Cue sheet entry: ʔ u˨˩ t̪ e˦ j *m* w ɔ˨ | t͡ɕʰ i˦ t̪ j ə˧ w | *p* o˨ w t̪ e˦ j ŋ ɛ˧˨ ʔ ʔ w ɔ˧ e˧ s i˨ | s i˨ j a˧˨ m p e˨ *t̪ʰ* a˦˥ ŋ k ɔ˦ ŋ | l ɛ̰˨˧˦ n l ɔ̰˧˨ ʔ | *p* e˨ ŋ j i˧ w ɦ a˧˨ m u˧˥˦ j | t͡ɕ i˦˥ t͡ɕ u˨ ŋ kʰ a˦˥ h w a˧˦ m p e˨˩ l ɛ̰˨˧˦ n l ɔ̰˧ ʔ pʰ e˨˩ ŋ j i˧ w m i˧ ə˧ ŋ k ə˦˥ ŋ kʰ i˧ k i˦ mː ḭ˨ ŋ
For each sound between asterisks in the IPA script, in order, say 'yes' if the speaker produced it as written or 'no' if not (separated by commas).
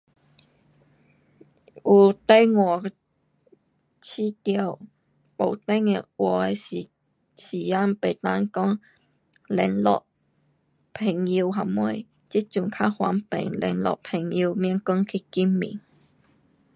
no, yes, no, no